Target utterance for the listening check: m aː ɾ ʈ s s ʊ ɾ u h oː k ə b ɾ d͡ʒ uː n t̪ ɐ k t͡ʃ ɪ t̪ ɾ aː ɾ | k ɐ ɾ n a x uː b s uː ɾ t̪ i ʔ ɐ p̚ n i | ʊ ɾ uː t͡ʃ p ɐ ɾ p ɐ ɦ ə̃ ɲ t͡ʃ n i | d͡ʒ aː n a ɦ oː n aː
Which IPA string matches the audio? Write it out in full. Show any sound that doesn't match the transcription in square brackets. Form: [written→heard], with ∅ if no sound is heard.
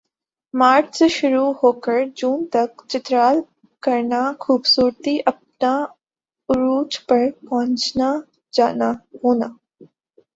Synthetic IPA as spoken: m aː ɾ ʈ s [s→ʃ] ʊ ɾ u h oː k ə [b→∅] ɾ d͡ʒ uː n t̪ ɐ k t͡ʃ ɪ t̪ ɾ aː [ɾ→l] | k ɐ ɾ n a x uː b s uː ɾ t̪ i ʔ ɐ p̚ n [i→a] | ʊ ɾ uː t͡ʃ p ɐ ɾ p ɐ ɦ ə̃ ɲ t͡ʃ n [i→a] | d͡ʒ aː n a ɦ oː n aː